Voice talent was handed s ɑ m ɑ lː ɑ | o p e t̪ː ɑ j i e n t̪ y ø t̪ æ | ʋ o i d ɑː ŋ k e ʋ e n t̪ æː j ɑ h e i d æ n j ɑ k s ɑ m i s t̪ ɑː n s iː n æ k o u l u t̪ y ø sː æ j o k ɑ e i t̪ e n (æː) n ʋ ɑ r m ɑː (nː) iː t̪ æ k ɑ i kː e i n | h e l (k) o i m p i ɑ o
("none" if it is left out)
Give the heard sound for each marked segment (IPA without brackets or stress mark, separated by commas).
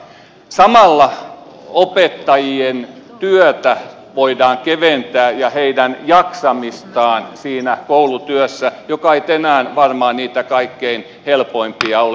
æː, n, p